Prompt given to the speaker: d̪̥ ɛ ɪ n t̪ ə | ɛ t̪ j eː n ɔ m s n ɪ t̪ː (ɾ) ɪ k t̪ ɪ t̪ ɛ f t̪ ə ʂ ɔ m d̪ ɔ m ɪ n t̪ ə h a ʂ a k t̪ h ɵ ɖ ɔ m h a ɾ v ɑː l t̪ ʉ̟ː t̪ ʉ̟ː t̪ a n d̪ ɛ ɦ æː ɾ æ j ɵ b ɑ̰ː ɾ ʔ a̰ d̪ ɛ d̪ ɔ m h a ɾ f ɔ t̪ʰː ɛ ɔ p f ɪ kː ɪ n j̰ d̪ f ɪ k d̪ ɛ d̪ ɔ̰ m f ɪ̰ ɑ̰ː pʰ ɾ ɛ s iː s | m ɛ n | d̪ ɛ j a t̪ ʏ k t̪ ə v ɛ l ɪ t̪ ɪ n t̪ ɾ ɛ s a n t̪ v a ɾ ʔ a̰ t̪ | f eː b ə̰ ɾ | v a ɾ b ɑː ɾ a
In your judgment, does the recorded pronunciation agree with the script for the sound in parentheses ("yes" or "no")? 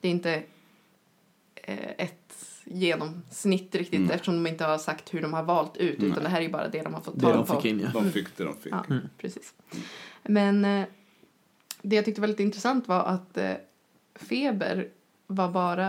yes